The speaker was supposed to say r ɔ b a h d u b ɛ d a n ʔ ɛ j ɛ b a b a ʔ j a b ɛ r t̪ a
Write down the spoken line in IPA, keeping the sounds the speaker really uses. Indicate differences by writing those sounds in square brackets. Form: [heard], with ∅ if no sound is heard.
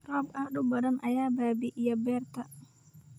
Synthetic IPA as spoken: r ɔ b a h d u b [a] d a n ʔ [a] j [a] b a b [i] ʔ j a b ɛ r t̪ a